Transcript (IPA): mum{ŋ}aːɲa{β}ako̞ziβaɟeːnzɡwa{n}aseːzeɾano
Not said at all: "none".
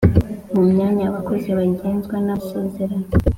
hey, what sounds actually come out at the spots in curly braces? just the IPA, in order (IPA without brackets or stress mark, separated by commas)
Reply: ɲ, β, n